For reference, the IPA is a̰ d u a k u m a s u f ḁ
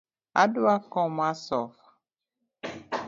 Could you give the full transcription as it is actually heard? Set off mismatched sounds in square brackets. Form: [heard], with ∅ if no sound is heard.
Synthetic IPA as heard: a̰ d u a k [ɔ] m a s [ɔ] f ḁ